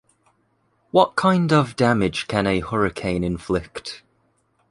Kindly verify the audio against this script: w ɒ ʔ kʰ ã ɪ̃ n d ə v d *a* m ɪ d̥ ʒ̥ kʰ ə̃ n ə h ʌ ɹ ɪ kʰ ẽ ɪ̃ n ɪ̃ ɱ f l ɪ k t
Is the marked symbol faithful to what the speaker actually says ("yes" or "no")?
yes